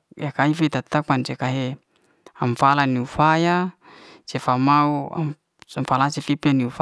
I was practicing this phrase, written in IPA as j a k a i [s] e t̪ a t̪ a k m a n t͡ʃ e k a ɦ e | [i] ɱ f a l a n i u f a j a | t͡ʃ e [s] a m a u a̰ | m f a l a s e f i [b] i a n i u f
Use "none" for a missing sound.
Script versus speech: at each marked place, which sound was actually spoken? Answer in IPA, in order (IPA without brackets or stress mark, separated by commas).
f, a, f, p